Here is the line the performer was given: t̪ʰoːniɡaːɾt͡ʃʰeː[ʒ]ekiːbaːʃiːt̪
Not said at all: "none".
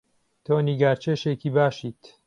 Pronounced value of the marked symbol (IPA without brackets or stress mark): ʃ